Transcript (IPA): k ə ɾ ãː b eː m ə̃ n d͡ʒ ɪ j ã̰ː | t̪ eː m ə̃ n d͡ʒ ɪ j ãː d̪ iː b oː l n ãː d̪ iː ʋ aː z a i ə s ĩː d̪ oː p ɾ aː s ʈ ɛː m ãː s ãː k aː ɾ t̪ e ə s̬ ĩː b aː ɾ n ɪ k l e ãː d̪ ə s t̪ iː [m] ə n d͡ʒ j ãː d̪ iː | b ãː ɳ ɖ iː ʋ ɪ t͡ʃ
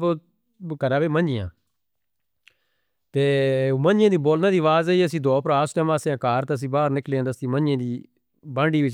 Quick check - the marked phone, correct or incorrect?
correct